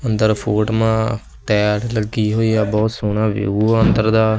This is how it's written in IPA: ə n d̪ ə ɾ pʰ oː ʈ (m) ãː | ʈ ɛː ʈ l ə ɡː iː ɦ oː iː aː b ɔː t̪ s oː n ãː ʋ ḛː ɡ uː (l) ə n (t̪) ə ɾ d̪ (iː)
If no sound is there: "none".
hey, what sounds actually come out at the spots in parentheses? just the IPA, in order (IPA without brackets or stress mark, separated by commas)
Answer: m, none, d̪, aː